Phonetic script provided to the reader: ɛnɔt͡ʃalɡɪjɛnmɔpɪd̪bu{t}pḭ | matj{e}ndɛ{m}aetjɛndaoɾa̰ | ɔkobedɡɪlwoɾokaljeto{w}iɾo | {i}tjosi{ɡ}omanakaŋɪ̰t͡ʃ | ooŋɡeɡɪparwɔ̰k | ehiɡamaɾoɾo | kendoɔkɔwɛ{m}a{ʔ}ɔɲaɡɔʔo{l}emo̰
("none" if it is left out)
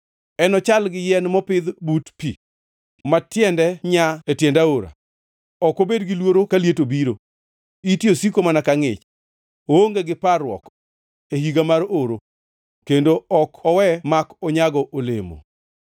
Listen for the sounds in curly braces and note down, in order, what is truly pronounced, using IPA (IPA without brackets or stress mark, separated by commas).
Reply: t, ɛ, ɲ, b, i, k, m, k, l